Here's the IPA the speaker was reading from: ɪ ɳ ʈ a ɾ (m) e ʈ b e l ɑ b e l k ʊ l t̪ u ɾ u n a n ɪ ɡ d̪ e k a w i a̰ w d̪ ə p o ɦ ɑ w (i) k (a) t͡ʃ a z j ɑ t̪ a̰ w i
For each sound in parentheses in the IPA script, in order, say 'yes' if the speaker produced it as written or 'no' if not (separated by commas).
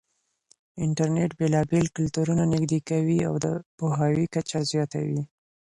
no, yes, yes